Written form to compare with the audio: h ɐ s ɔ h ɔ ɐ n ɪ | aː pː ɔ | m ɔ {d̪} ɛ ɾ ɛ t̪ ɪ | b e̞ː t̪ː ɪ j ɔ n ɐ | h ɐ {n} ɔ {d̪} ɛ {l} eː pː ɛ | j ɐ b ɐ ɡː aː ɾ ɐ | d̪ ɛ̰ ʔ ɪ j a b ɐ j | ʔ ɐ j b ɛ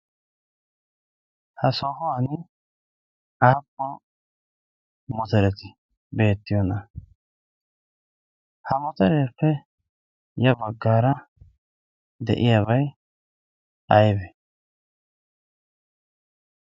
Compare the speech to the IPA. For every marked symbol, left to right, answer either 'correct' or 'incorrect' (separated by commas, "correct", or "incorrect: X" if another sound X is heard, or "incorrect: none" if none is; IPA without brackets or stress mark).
incorrect: t̪, incorrect: m, incorrect: t̪, incorrect: ɾ